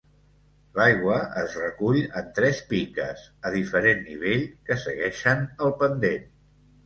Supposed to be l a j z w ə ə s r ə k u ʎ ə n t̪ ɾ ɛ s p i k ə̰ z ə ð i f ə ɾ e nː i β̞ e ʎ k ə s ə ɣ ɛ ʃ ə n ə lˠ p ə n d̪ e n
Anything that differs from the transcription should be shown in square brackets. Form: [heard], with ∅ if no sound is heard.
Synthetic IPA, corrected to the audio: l a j [ɣ] w ə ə [z] r ə k u ʎ ə n t̪ ɾ ɛ s p i k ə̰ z ə ð i f ə ɾ e nː i β̞ e ʎ k ə s ə ɣ ɛ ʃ ə n ə lˠ p ə n d̪ e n